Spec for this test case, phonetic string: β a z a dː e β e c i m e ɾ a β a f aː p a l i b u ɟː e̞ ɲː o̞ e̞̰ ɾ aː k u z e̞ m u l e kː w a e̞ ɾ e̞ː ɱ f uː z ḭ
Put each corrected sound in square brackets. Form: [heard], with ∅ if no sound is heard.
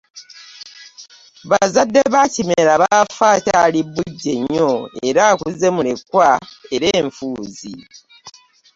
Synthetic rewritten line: β a z a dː e β [a] c i m e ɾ a β a f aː [t] a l i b u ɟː e̞ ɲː o̞ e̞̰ ɾ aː k u z e̞ m u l e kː w a e̞ ɾ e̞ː ɱ f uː z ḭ